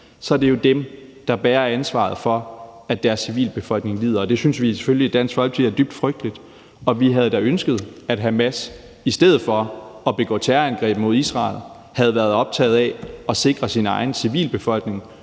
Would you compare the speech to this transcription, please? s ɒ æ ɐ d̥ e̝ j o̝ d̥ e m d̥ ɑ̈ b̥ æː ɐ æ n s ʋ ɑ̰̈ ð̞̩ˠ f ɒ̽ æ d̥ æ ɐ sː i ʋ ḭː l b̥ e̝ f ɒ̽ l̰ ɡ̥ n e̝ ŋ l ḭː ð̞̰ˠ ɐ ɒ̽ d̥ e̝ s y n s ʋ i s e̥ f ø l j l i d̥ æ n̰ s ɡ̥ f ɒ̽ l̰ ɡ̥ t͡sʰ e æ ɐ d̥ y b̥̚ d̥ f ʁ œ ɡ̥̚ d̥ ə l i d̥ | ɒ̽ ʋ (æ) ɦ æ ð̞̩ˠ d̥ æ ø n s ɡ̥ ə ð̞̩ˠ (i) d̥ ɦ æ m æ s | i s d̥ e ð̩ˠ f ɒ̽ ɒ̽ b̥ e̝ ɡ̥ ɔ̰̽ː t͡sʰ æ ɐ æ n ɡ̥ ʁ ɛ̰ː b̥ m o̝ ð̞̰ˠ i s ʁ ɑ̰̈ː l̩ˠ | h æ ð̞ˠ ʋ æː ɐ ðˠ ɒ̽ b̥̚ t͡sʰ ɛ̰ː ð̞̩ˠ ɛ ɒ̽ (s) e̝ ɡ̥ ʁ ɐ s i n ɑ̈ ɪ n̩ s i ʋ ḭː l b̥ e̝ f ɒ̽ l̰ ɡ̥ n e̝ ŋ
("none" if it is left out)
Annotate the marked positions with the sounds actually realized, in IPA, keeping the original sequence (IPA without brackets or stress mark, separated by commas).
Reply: i, æ, s